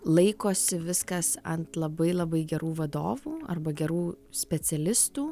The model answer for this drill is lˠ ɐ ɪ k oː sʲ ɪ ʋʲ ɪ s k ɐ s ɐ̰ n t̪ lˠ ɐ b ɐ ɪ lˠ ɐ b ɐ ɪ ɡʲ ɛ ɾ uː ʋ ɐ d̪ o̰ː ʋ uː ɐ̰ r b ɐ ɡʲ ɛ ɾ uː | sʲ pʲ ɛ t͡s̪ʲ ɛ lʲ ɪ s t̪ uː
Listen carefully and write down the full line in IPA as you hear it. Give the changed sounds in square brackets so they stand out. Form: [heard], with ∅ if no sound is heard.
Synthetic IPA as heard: lˠ ɐ ɪ k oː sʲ ɪ ʋʲ ɪ s k ɐ s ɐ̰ n t̪ lˠ ɐ b ɐ ɪ lˠ ɐ b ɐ ɪ ɡʲ ɛ ɾ uː ʋ ɐ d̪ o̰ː ʋ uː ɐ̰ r b ɐ ɡʲ ɛ ɾ uː | sʲ pʲ ɛ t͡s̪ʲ ɛ lʲ ɪ s t̪ uː